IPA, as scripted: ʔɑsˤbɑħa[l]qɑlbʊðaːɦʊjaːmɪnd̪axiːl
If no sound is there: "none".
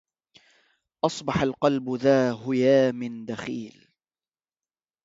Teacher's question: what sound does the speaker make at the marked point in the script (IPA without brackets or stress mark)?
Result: l